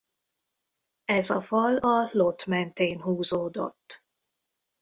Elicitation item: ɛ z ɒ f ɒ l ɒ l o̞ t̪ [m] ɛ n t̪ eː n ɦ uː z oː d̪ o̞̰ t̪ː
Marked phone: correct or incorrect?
correct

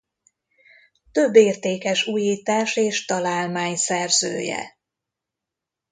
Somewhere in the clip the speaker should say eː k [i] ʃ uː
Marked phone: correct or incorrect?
incorrect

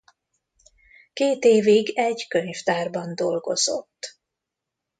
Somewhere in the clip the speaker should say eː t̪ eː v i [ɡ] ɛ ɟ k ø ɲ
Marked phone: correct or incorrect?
correct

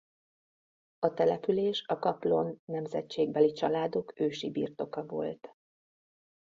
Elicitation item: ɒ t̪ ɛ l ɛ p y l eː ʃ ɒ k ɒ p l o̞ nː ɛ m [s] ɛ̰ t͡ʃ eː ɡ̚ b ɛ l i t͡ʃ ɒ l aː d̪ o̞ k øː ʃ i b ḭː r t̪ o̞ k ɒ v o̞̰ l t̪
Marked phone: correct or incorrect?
incorrect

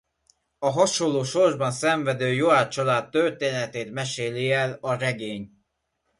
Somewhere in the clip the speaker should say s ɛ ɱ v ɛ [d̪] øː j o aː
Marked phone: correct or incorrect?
correct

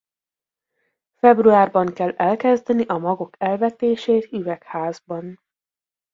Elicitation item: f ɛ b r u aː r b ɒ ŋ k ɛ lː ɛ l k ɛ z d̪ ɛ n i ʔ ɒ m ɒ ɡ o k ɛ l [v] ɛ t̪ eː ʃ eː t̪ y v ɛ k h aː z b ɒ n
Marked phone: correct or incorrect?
correct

